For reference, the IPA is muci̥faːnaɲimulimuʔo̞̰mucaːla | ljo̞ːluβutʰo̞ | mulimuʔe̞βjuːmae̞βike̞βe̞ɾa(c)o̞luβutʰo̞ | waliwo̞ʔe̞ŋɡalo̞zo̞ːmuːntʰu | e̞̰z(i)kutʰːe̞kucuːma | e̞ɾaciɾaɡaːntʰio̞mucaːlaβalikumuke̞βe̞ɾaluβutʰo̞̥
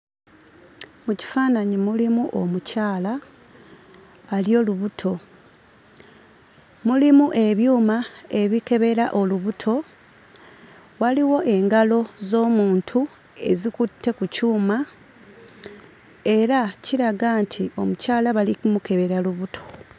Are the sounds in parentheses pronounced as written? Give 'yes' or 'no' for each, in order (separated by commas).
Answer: no, yes